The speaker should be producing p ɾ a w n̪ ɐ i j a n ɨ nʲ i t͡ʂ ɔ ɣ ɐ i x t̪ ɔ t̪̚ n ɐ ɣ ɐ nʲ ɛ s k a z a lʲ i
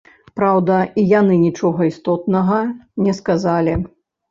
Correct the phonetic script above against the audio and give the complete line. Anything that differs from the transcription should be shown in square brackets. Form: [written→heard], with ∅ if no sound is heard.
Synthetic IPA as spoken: p ɾ a w [n̪→d̪] ɐ i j a n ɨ nʲ i t͡ʂ ɔ ɣ ɐ i [x→s] t̪ ɔ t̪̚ n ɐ ɣ ɐ nʲ ɛ s k a z a lʲ i